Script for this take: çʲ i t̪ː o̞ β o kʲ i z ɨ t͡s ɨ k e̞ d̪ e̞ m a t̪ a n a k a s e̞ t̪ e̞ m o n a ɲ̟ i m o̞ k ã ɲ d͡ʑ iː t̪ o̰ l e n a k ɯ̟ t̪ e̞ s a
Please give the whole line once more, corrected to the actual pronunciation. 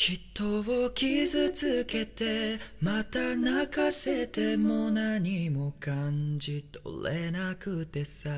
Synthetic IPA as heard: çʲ i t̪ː o̞ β o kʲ i z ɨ t͡s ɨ k e̞ t̪ e̞ m a t̪ a n a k a s e̞ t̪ e̞ m o n a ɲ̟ i m o̞ k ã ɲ d͡ʑ i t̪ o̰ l e n a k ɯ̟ t̪ e̞ s a